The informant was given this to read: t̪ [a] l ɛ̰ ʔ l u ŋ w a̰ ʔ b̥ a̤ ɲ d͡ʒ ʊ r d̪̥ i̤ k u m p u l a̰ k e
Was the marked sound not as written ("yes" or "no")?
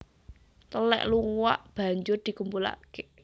yes